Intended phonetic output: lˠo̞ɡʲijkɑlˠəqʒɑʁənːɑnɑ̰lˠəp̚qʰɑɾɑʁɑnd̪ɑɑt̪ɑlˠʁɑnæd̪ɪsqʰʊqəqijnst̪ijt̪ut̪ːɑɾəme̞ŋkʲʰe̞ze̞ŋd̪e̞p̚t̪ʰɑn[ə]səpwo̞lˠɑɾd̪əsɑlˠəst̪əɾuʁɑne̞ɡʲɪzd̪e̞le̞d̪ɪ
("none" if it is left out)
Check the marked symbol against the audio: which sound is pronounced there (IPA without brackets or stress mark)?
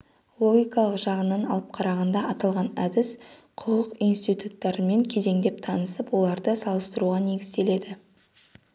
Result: ə